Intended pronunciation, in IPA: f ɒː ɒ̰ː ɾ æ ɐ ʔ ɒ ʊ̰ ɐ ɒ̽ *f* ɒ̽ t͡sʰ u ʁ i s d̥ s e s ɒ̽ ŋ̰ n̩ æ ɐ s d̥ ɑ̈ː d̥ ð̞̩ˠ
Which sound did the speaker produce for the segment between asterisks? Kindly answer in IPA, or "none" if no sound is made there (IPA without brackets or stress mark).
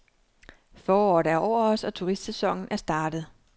s